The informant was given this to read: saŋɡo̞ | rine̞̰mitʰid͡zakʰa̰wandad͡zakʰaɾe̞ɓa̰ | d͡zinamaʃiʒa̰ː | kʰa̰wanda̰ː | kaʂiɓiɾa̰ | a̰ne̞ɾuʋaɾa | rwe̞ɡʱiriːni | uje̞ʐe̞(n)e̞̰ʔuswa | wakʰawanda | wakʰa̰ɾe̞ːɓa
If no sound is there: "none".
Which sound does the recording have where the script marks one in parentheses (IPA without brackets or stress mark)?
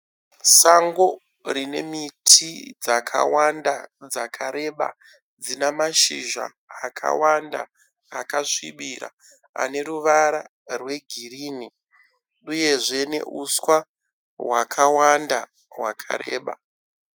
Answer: n